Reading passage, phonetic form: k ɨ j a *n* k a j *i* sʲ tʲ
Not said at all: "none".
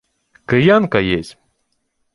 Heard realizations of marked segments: n, e

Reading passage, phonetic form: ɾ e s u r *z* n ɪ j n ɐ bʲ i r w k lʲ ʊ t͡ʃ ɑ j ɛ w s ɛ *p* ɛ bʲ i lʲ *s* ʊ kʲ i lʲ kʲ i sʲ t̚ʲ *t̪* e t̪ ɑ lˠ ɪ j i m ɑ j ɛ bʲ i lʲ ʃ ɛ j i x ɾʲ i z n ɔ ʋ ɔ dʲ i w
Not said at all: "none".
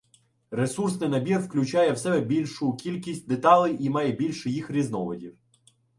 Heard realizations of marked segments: s, b, ʃ, d̪

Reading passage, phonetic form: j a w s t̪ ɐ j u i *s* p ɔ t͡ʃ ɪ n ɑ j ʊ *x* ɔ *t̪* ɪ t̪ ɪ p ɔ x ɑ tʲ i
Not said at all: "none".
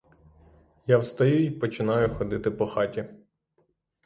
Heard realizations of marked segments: none, x, d̪

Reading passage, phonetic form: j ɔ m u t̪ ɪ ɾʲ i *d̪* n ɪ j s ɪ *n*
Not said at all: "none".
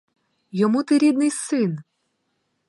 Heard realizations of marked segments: d̪, n

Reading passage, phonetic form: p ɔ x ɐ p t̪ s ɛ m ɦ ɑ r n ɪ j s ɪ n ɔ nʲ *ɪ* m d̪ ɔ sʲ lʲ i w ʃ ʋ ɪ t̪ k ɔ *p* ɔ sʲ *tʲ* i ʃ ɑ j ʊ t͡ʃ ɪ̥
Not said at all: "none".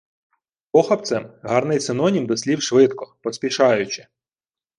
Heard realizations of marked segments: i, p, pʲ

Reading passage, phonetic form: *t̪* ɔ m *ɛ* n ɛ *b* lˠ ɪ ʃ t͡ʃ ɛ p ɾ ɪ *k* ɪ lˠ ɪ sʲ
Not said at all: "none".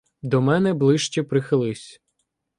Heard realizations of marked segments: d̪, ɛ, b, x

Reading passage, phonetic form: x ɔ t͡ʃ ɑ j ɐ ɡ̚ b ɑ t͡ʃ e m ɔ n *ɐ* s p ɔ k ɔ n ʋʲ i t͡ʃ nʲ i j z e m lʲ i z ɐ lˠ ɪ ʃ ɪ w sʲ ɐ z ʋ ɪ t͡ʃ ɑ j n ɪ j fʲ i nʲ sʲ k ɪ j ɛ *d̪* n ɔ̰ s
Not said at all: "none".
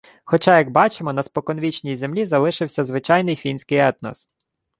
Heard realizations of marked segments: ɐ, t̪

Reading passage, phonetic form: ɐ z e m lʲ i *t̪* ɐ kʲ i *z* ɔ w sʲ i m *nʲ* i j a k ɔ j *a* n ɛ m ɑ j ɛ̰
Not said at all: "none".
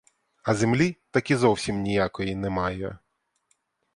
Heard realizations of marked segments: t̪, z, nʲ, i

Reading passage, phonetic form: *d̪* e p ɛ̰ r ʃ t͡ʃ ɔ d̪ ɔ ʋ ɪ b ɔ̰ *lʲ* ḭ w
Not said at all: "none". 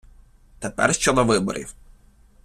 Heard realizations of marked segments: t̪, ɾʲ

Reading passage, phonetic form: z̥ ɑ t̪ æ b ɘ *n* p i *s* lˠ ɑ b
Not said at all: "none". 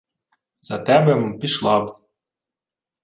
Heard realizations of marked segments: m, ʃ

